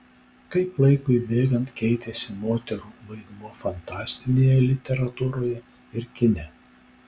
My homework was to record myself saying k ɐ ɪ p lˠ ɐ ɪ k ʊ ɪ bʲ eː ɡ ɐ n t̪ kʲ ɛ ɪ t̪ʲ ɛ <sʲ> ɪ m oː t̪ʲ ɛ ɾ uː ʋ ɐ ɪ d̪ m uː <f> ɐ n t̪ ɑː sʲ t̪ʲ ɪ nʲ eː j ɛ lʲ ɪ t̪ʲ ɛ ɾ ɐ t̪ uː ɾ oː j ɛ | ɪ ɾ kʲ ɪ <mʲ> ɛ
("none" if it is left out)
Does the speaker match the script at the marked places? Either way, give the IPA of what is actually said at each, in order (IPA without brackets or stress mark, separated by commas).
sʲ, f, nʲ